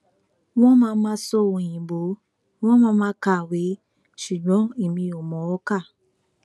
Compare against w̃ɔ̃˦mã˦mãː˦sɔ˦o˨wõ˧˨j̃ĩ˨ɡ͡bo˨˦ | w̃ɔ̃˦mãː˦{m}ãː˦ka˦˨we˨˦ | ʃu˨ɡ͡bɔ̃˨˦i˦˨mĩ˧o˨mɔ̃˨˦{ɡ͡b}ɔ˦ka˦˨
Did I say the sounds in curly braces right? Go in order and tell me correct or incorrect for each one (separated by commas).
correct, incorrect